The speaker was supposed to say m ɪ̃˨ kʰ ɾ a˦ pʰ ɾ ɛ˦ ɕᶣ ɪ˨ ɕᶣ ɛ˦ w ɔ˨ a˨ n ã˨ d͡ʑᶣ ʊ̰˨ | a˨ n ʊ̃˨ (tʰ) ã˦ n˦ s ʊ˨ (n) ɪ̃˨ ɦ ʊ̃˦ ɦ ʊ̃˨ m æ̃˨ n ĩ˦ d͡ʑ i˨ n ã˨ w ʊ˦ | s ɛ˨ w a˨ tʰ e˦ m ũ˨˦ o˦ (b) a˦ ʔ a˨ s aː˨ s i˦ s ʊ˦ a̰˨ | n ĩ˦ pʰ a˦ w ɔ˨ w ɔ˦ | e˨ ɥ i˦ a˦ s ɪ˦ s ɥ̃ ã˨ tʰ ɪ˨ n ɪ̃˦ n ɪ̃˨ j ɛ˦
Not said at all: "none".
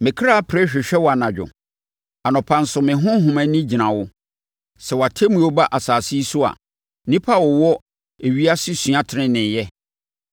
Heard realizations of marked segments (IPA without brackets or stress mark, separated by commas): pʰ, m, b